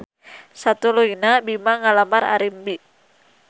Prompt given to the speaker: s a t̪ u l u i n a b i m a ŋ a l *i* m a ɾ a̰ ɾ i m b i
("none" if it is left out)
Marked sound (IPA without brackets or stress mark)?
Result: a